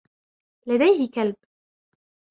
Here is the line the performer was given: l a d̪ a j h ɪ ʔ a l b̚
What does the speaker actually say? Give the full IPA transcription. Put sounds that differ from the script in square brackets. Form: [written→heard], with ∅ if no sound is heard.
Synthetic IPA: l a d̪ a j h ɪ [ʔ→k] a l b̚